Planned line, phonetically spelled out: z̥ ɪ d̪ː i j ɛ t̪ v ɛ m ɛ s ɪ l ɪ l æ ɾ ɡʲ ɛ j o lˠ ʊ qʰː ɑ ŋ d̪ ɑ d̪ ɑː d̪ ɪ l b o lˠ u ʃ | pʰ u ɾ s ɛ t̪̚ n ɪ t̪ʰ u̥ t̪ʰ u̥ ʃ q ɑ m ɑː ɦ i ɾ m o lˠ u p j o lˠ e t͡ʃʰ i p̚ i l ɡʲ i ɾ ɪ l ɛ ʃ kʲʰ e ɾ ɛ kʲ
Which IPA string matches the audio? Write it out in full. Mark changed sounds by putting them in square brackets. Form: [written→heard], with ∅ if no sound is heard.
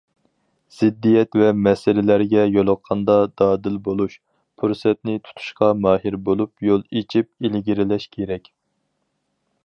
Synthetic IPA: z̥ ɪ d̪ː i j ɛ t̪ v ɛ m ɛ s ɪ l ɪ l æ ɾ ɡʲ ɛ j o lˠ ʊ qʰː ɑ [ŋ→n] d̪ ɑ d̪ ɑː d̪ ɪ l b o lˠ u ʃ | pʰ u ɾ s ɛ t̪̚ n ɪ t̪ʰ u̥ t̪ʰ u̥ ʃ q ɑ m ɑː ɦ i ɾ [m→b] o lˠ u p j o lˠ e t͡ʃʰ i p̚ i l ɡʲ i ɾ ɪ l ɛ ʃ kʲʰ e ɾ ɛ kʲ